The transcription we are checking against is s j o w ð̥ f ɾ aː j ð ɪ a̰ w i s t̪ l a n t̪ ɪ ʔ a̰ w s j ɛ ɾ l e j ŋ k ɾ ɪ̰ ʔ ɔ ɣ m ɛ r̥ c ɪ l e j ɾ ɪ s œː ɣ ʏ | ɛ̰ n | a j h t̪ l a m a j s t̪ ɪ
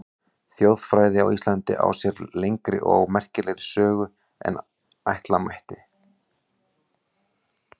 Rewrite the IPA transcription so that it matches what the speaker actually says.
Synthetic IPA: θ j o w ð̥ f ɾ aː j ð ɪ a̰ w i s t̪ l a n t̪ ɪ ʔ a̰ w s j ɛ ɾ l e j ŋ k ɾ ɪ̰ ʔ ɔ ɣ m ɛ r̥ c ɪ l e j ɾ ɪ s œː ɣ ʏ | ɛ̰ n | a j h t̪ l a m a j h t̪ ɪ